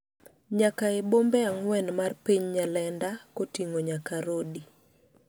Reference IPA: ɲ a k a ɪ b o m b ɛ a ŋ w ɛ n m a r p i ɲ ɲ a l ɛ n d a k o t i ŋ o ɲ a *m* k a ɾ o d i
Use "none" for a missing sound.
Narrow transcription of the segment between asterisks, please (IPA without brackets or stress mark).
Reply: none